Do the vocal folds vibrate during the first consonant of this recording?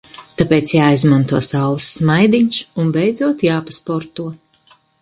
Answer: no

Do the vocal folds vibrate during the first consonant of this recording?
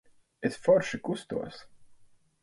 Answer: no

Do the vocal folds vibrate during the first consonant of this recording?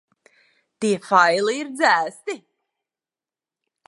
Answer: no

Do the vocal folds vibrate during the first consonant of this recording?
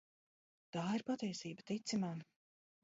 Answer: no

